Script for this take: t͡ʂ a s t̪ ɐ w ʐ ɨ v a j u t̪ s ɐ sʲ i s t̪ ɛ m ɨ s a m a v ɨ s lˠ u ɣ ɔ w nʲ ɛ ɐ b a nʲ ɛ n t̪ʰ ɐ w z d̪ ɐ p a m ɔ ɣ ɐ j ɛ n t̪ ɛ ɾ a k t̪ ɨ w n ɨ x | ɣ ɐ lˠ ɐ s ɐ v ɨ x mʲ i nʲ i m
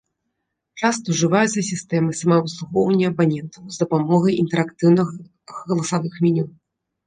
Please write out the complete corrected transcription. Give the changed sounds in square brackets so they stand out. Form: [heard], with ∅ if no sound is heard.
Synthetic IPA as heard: t͡ʂ a s t̪ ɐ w ʐ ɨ v a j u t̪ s ɐ sʲ i s t̪ ɛ m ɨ s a m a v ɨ s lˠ u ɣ ɔ w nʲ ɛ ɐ b a nʲ ɛ n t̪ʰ ɐ w z d̪ ɐ p a m ɔ ɣ ɐ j [i] n t̪ ɛ ɾ a k t̪ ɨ w n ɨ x | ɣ ɐ lˠ ɐ s [a] v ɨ x mʲ i nʲ i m